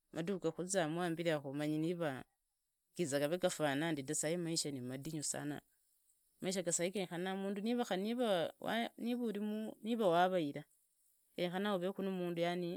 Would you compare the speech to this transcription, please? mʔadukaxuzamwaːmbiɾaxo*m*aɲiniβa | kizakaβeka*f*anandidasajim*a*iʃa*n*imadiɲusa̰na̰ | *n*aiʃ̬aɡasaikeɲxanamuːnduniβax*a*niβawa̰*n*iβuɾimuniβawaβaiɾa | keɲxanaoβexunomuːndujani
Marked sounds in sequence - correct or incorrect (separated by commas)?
correct, correct, correct, correct, incorrect, correct, correct